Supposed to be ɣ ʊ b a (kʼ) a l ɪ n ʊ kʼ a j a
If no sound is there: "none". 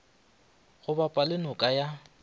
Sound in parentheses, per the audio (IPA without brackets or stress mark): pʼ